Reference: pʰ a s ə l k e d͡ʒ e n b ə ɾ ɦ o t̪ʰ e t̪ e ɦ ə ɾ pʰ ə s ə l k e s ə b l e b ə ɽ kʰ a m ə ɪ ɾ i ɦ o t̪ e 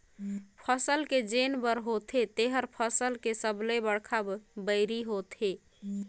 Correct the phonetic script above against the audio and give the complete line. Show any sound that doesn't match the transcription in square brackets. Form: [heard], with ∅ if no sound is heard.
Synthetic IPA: pʰ [ə] s ə l k e d͡ʒ e n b ə ɾ ɦ o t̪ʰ e t̪ e ɦ ə ɾ pʰ ə s ə l k e s ə b l e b ə ɽ kʰ a [b] ə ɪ ɾ i ɦ o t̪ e